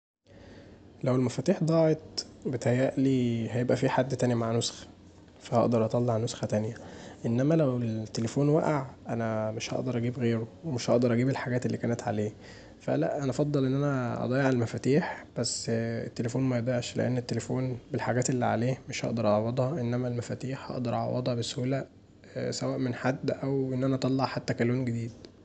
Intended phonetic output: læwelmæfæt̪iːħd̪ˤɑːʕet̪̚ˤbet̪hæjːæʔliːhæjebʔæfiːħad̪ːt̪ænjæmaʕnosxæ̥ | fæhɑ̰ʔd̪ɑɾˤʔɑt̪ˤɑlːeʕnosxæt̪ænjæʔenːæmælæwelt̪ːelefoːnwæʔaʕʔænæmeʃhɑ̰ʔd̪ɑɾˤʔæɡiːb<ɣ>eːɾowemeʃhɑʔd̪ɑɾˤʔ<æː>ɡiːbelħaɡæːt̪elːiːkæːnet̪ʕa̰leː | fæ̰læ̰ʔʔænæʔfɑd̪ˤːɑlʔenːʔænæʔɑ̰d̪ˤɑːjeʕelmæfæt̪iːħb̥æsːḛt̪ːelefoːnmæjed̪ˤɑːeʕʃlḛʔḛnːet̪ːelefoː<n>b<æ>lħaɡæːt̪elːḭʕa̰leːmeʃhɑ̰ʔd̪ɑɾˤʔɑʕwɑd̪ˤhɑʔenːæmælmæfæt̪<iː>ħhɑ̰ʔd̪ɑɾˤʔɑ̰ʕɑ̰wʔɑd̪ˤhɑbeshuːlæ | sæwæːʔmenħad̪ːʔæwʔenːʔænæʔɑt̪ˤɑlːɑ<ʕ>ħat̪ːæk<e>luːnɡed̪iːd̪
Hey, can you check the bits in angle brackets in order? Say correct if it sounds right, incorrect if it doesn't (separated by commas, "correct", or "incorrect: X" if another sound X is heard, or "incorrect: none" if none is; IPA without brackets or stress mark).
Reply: correct, incorrect: æ, correct, incorrect: e, correct, correct, incorrect: æ